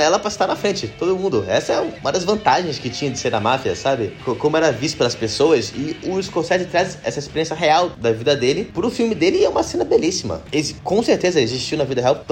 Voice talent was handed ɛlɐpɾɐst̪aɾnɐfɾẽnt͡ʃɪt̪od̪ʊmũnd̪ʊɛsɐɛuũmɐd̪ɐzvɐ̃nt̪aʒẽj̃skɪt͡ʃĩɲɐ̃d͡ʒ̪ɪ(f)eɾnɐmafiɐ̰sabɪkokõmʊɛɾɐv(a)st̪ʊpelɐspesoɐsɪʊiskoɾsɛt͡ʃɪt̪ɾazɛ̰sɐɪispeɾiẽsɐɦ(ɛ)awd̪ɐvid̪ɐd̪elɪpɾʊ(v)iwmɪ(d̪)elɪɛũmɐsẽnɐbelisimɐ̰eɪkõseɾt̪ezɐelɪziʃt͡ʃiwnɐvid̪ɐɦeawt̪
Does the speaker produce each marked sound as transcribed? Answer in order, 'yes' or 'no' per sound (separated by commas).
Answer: no, no, no, no, yes